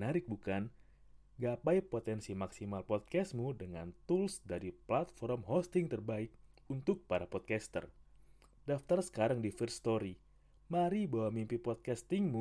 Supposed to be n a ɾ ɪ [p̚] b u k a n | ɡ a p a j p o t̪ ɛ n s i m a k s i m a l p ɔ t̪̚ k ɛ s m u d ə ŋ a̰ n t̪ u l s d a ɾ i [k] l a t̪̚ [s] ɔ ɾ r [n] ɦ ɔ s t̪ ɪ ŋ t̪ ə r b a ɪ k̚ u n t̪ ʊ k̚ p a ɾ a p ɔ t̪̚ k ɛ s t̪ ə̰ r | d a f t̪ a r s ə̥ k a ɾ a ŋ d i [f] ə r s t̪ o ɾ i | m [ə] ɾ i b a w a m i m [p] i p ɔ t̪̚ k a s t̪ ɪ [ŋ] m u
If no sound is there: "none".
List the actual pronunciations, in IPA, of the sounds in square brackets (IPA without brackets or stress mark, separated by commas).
k̚, p, f, m, f, a, p, ŋ